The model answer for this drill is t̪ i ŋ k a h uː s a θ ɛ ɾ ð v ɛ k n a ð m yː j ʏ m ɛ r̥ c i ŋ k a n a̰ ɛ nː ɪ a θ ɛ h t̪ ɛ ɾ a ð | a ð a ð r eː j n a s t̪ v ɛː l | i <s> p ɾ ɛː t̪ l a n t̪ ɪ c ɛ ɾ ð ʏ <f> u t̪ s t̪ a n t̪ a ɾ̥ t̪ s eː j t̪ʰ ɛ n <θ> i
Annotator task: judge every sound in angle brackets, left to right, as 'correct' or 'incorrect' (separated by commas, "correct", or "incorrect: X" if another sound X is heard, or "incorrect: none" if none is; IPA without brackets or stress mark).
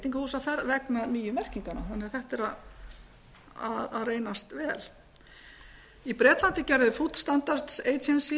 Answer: incorrect: none, correct, incorrect: s